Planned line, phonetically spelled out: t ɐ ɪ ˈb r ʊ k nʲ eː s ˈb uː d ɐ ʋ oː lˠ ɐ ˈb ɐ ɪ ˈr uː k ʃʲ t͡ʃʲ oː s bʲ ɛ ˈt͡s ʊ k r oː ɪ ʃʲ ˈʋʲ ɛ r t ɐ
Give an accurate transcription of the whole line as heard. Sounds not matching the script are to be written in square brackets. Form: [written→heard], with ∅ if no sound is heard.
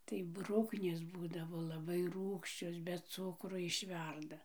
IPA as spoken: t ɐ ɪ ˈb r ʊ k nʲ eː s ˈb uː d ɐ ʋ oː lˠ ɐ ˈb ɐ ɪ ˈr uː k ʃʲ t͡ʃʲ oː s bʲ ɛ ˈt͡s ʊ k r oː ɪ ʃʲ ˈʋʲ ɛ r [t→d] ɐ